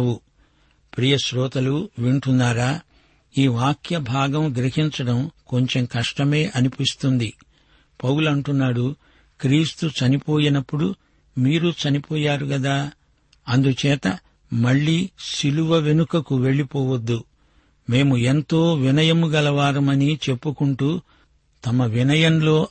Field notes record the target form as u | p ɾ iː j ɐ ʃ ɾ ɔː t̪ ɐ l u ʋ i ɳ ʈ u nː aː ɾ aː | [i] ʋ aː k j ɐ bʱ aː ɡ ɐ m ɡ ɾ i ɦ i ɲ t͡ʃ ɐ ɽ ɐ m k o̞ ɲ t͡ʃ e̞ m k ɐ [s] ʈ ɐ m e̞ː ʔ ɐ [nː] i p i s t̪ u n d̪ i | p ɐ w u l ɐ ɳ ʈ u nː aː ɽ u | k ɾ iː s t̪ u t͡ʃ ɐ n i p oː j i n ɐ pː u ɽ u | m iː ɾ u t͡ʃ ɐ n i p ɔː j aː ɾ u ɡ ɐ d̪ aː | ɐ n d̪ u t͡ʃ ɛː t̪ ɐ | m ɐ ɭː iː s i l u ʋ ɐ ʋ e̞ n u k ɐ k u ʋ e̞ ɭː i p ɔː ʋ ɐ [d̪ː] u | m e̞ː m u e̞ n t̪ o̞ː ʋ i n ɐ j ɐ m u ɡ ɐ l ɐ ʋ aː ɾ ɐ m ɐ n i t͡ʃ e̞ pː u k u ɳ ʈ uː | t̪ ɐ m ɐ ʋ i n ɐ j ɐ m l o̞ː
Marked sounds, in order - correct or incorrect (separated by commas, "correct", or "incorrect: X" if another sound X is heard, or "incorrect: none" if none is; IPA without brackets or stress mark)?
incorrect: iː, incorrect: ʂ, incorrect: n, correct